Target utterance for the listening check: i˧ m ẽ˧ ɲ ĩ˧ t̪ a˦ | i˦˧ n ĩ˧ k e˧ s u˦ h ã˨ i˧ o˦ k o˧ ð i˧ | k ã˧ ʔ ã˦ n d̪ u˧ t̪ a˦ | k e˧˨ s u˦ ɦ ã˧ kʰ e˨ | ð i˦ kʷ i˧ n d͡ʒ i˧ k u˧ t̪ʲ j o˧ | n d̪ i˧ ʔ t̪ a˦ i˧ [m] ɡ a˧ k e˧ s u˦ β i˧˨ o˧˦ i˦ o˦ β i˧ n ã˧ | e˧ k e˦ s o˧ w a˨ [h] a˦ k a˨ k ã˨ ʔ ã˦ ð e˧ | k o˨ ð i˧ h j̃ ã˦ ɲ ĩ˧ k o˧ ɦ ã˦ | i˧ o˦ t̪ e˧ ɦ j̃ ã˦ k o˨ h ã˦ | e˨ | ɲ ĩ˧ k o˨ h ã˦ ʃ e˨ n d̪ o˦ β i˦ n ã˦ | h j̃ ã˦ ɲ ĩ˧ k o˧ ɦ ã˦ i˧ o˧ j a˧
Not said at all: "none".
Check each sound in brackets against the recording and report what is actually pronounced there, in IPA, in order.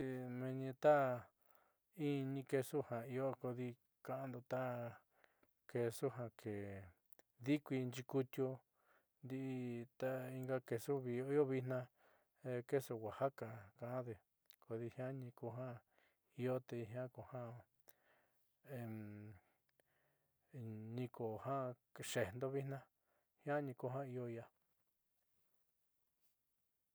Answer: ŋ, h

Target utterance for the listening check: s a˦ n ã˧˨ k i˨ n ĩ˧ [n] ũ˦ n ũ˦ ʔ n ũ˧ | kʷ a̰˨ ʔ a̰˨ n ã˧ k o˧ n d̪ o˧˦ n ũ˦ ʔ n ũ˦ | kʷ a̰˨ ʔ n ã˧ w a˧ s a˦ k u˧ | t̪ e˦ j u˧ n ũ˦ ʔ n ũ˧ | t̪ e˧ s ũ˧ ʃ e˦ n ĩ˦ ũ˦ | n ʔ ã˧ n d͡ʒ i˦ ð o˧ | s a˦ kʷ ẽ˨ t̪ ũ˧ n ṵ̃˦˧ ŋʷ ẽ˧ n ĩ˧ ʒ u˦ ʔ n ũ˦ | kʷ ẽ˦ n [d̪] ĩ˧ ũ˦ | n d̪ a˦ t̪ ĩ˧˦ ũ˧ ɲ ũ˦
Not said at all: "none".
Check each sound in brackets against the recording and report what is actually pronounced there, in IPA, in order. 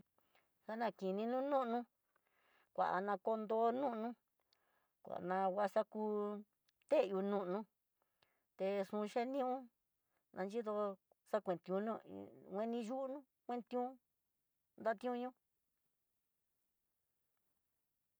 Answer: n, t̪

